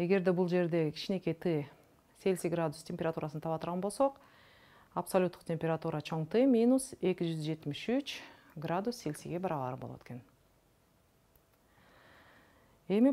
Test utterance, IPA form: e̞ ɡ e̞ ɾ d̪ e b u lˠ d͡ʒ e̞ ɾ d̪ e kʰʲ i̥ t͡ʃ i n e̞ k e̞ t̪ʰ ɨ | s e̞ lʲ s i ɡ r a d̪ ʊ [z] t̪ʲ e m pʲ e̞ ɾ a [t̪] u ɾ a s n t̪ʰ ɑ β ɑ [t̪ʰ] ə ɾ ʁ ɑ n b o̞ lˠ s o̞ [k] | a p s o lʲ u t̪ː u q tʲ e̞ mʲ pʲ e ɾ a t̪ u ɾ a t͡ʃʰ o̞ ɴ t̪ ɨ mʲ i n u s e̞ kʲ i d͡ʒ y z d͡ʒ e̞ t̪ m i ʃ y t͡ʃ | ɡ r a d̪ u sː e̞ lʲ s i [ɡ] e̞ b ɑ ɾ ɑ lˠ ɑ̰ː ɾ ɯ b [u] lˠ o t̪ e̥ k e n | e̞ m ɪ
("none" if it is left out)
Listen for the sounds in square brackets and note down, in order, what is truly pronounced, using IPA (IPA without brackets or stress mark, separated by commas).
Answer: s, t̪, t̪, q, ɡ, o